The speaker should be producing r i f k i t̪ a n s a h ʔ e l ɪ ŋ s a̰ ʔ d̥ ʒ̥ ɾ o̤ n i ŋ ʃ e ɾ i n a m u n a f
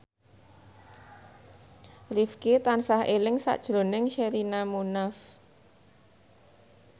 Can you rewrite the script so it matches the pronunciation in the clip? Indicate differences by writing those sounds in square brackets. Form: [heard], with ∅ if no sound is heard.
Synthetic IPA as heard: r i f k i t̪ a n s a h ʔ e l ɪ ŋ s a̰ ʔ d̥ ʒ̥ ɾ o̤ n [ɪ] ŋ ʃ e ɾ i n a m u n a f